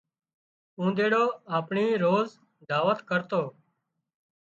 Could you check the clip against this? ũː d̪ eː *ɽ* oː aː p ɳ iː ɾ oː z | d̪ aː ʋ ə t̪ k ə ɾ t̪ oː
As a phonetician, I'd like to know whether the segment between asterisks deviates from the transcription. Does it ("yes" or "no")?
no